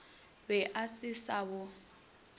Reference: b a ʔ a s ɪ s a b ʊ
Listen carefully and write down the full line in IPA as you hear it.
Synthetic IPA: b ɛ ʔ a s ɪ s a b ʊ